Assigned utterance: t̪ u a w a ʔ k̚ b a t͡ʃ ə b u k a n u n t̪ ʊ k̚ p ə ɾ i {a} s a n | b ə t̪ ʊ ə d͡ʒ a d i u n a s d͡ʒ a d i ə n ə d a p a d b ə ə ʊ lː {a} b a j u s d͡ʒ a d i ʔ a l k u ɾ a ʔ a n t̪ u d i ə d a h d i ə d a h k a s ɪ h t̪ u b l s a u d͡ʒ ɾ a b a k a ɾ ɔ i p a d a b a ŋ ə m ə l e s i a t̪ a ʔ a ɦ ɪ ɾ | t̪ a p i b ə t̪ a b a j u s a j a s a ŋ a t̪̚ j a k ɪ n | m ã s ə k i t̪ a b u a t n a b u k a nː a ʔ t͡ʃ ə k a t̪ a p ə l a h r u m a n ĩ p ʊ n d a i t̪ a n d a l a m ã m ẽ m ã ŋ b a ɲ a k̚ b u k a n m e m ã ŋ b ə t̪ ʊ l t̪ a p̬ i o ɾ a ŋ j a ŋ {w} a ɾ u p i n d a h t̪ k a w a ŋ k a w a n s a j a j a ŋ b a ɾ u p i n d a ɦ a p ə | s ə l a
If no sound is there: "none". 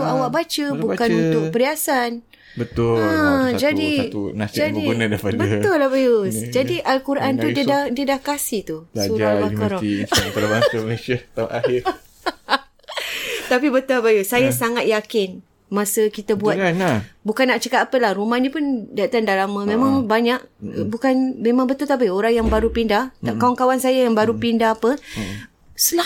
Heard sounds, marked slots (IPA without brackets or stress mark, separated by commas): a, a, b